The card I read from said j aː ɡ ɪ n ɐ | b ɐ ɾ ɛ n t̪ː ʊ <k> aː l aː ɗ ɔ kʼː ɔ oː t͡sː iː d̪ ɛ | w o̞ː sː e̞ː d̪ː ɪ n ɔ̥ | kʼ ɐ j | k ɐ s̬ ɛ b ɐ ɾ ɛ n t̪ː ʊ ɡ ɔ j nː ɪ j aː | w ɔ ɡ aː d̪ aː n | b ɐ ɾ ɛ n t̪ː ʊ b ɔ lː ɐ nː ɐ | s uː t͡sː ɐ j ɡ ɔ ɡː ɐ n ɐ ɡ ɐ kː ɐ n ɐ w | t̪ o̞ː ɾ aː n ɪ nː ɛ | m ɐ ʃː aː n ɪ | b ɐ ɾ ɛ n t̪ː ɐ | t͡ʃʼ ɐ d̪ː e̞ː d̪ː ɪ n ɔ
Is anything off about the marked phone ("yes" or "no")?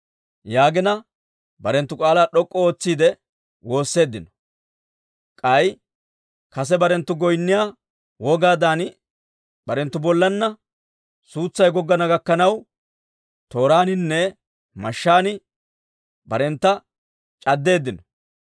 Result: yes